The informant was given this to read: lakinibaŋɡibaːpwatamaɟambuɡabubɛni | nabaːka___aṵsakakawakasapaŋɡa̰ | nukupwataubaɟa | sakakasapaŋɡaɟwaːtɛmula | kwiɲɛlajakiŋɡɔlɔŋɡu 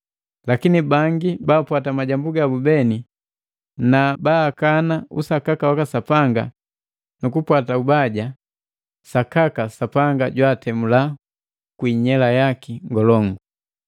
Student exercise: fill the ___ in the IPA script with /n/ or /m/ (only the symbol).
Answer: n